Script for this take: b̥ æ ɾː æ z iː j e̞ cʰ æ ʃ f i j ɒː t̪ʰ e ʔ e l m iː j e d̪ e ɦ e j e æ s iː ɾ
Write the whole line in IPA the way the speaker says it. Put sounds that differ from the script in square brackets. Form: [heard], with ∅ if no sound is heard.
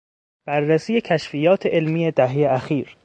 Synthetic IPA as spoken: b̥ æ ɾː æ [s] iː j e̞ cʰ æ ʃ f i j ɒː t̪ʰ e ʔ e l m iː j e d̪ [æ] ɦ e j e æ [x] iː ɾ